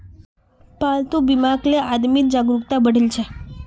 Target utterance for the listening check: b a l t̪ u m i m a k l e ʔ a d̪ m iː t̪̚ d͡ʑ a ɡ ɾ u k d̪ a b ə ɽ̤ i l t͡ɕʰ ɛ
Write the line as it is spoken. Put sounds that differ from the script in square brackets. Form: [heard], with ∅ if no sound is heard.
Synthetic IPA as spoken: [p] a l t̪ u [b] i m a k l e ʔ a d̪ m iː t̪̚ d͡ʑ a ɡ ɾ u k [t̪] a b ə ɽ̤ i l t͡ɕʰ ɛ

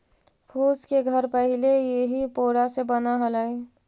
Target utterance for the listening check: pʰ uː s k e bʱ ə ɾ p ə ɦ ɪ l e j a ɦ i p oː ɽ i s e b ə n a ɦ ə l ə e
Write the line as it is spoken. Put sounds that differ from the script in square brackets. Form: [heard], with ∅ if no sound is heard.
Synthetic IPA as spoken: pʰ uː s k e [ɡʱ] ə ɾ p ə ɦ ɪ l e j [e] ɦ i p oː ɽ [a] s e b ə n a ɦ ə l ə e

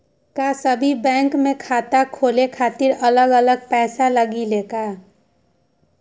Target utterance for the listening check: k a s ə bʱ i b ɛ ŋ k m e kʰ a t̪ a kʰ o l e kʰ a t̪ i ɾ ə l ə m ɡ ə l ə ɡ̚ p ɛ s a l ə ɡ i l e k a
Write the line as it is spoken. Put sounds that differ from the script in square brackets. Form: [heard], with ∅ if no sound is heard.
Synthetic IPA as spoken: k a s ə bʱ i b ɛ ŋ k m e kʰ a t̪ a kʰ o l e kʰ a t̪ i ɾ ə l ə [∅] ɡ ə l ə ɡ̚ p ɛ s a l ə ɡ i l e k a

